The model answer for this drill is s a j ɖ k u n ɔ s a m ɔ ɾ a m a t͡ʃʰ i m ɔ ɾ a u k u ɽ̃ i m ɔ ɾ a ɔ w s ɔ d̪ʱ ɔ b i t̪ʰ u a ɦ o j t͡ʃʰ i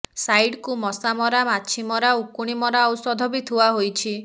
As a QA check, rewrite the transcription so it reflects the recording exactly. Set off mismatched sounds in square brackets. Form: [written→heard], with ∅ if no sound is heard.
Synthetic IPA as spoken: s a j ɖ k u [n→m] ɔ s a m ɔ ɾ a m a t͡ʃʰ i m ɔ ɾ a u k u ɽ̃ i m ɔ ɾ a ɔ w s ɔ d̪ʱ ɔ b i t̪ʰ u a ɦ o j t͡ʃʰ i